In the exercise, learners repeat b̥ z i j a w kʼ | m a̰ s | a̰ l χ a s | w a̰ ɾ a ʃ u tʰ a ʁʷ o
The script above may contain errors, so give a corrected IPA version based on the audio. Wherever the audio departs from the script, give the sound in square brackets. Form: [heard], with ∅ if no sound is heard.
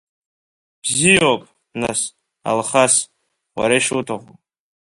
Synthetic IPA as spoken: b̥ z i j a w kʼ | [n] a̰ s | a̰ l χ a s | w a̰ ɾ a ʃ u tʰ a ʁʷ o